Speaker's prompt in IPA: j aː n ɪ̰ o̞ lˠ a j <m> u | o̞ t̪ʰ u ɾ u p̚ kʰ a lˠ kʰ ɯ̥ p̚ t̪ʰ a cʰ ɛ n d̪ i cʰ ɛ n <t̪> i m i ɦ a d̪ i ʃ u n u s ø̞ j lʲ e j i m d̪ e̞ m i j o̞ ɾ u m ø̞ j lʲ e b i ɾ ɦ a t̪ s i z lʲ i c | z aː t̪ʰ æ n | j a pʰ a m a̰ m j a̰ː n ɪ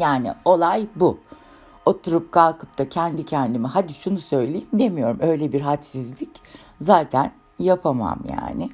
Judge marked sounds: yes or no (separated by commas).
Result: no, no